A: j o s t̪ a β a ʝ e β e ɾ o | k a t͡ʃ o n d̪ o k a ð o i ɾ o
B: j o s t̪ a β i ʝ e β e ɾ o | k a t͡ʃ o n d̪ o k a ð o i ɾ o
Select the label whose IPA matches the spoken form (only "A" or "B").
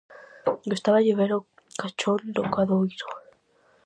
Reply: A